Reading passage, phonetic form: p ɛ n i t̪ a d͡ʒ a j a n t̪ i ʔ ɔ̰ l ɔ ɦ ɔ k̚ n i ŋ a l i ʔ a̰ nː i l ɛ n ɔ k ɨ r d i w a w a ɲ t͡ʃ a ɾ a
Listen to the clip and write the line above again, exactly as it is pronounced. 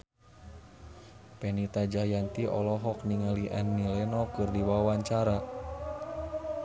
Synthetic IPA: p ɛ n i t̪ a d͡ʒ a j a n t̪ i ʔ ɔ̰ l ɔ ɦ ɔ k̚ n i ŋ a l i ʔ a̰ nː i l ɛ n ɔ k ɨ r d i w a w a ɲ t͡ʃ a ɾ a